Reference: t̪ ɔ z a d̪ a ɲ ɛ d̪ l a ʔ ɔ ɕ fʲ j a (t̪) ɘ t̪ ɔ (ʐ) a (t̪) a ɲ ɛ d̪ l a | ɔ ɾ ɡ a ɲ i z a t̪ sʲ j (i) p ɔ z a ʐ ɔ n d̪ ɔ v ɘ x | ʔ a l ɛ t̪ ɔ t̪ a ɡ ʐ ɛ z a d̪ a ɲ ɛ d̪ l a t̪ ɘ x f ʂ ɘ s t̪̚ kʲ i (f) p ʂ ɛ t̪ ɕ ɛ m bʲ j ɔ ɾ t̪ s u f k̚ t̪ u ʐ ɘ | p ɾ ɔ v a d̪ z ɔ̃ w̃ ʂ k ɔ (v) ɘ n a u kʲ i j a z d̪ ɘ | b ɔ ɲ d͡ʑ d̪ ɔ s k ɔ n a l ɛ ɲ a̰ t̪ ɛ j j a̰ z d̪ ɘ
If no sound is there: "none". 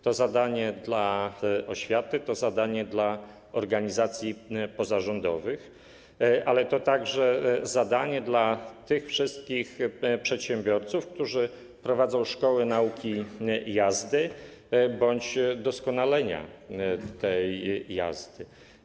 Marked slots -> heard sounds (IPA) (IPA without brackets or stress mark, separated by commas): t̪, z, d̪, i, x, w